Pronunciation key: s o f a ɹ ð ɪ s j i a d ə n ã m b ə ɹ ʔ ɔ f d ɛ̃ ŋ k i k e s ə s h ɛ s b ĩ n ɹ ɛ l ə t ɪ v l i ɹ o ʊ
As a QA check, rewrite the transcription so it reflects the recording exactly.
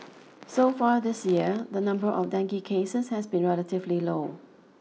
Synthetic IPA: s o f a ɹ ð ɪ s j i ə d ə n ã m b ə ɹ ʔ ɔ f d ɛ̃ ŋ k i kʰ e s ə s h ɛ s b ĩ n ɹ ɛ l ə t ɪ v l i l o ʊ